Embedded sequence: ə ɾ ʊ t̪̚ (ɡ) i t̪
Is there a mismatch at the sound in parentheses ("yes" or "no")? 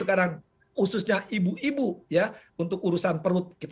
yes